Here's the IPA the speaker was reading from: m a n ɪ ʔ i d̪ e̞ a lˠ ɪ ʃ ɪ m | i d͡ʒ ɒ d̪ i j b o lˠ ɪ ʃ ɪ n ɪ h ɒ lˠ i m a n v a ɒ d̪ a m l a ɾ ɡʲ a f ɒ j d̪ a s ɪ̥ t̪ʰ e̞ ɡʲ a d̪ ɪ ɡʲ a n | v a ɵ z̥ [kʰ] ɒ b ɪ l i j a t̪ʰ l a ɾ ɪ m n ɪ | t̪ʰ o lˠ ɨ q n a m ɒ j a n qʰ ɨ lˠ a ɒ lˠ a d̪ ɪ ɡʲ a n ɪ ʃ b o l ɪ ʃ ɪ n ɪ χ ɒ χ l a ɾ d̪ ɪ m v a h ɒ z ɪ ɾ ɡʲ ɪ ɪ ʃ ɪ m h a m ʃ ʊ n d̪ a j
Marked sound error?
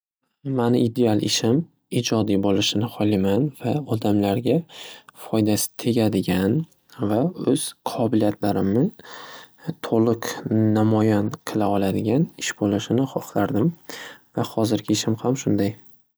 yes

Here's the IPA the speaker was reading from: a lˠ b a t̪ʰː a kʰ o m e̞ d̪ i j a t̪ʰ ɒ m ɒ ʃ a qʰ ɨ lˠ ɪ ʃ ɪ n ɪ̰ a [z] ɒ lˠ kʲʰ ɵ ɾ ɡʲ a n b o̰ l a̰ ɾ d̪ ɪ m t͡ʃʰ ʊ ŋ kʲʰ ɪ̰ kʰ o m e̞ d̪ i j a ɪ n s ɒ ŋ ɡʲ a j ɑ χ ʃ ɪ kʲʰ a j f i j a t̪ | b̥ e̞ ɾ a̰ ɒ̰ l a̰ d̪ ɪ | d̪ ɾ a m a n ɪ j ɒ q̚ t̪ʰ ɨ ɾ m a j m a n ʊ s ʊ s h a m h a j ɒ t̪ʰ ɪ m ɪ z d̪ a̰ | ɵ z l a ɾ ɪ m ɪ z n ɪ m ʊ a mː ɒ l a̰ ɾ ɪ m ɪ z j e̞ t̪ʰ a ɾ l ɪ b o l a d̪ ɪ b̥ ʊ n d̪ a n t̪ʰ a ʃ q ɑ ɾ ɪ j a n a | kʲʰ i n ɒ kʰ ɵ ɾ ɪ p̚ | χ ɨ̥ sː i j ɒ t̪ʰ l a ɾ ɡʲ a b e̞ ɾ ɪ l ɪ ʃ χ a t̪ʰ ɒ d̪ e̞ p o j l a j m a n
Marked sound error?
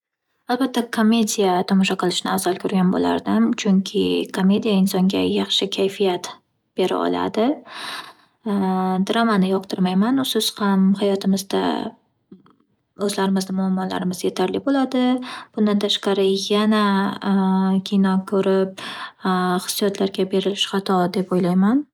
no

